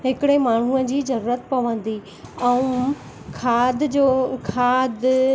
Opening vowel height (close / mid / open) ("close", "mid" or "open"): close